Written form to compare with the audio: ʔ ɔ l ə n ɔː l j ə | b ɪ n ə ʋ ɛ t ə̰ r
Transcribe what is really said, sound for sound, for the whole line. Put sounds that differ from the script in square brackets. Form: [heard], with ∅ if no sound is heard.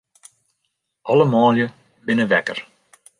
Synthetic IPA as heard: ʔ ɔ l ə [m] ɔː l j ə | b ɪ n ə ʋ ɛ [k] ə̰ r